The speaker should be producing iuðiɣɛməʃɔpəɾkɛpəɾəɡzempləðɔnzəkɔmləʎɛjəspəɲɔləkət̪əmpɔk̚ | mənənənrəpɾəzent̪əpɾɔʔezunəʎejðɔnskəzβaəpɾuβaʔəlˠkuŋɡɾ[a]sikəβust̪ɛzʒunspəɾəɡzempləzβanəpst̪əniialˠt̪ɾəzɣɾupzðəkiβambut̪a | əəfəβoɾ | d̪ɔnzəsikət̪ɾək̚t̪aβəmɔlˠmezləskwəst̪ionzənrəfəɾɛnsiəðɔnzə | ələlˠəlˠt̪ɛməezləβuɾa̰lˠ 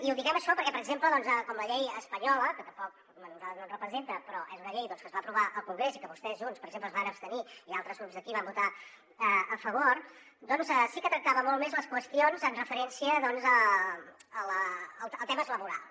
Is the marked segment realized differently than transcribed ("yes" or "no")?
yes